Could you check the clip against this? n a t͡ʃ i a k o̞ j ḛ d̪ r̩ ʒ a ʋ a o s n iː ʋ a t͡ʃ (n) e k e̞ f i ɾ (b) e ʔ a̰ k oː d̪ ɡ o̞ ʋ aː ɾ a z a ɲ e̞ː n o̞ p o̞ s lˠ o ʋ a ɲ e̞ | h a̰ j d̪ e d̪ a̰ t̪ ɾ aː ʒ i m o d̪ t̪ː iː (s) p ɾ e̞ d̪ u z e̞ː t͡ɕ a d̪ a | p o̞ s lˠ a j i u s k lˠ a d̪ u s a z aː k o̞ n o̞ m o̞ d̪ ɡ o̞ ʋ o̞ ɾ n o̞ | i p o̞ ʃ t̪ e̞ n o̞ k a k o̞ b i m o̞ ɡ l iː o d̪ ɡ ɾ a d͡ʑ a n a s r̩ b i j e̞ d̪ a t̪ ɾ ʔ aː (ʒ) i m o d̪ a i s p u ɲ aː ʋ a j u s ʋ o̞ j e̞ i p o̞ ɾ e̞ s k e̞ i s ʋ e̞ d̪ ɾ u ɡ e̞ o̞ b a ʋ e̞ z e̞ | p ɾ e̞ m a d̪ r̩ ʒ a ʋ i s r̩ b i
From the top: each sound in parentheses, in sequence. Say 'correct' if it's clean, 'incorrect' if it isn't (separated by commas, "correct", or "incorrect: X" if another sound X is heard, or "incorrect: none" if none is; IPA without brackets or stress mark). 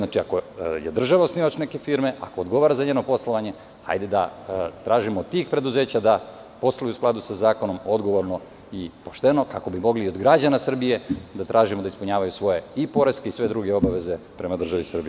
correct, incorrect: m, incorrect: x, correct